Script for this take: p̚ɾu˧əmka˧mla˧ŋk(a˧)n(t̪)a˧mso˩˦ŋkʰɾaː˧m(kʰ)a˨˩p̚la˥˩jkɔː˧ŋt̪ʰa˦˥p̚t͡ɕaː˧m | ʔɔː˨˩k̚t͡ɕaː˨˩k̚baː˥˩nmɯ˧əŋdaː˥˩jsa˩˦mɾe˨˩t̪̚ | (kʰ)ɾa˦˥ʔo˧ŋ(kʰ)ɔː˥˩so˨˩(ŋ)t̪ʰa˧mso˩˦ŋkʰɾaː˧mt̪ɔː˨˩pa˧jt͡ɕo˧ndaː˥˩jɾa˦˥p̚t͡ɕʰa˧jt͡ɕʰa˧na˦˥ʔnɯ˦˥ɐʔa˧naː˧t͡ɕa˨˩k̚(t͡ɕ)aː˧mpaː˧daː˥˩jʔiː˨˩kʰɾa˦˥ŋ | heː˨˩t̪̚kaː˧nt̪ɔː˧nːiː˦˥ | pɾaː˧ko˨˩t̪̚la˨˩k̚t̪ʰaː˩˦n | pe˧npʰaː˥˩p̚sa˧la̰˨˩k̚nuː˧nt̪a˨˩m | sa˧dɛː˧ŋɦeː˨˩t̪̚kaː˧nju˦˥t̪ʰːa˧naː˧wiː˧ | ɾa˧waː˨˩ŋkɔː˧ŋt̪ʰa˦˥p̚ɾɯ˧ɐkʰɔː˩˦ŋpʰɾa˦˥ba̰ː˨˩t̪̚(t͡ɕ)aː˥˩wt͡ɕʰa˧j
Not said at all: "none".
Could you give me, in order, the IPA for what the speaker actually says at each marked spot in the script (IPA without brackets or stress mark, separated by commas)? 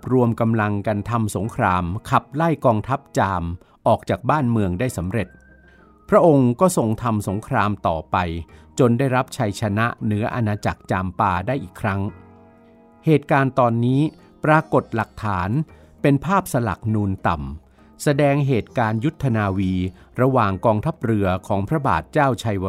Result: a˧, t̪ʰ, kʰ, pʰ, k, ŋ, t͡ɕ, t͡ɕ